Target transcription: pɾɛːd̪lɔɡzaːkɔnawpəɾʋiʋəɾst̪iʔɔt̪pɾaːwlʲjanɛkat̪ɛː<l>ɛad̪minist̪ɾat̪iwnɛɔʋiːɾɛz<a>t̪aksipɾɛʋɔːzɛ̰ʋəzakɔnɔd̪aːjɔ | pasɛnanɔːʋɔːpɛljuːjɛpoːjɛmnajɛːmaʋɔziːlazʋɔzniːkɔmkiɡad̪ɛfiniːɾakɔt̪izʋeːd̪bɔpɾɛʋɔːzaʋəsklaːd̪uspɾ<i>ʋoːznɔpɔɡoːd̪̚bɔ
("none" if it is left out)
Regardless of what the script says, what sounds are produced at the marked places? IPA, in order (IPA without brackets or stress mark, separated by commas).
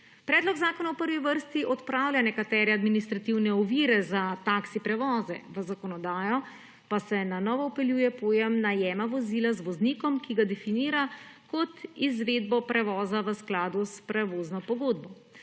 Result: ɾ, a, ɛ